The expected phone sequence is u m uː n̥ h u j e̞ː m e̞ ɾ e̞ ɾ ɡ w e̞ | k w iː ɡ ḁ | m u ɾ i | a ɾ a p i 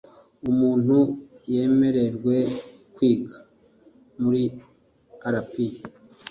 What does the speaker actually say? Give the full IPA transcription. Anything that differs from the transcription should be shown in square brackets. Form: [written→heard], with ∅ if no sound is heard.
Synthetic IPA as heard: u m uː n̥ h u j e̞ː m e̞ ɾ e̞ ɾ ɡ w e̞ | k w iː ɡ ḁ | m u ɾ i | a ɾ a p i

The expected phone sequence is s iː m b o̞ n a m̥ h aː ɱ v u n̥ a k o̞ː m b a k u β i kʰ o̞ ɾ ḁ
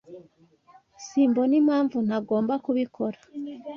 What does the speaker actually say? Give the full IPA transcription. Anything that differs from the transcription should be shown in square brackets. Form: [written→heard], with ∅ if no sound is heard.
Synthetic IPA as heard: s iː m b o̞ n [a→i] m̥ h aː ɱ v u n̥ a [k→ɡ] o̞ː m b a k u β i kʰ o̞ ɾ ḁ

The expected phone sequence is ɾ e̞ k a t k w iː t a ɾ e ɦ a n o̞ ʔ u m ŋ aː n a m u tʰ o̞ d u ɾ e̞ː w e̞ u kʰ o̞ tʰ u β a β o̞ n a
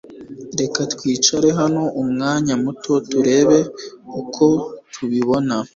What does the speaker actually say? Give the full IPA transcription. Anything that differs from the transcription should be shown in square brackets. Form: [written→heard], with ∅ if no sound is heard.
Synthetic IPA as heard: ɾ e̞ k a t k w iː [t→t͡ʃ] a ɾ e ɦ a n o̞ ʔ u m ŋ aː [n→ɲ] a m u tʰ o̞ [d→t] u ɾ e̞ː [w→β] e̞ u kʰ o̞ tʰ u β [a→i] β o̞ n a

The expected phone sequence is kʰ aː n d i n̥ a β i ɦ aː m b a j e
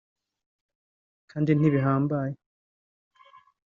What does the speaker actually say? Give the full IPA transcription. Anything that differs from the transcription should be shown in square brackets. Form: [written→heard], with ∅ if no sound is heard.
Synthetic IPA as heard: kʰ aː n d i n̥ [a→i] β i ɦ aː m b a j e

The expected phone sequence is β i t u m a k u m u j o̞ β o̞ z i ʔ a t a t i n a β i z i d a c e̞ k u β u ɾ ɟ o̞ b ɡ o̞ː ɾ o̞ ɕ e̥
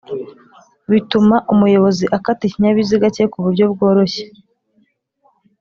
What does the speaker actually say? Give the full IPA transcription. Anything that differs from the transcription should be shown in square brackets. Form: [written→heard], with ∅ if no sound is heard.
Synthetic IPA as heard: β i t u m a [k→ʔ] u m u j o̞ β o̞ z i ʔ a [t→k] a t i [n→ɲ] a β i z i [d→ɡ] a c e̞ k u β u ɾ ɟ o̞ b ɡ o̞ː ɾ o̞ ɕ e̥

